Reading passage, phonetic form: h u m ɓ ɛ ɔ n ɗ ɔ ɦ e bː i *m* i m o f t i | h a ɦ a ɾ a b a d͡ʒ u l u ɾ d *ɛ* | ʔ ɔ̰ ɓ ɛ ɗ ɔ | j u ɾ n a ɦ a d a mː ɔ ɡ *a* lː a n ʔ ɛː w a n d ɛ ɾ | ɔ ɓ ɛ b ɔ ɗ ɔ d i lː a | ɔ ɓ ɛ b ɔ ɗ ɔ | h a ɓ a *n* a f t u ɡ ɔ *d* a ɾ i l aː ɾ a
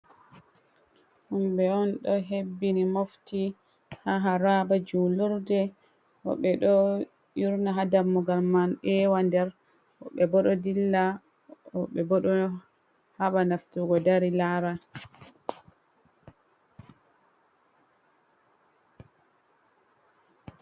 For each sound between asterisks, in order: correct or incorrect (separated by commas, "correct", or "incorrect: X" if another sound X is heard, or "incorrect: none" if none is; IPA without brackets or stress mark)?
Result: incorrect: n, correct, correct, correct, correct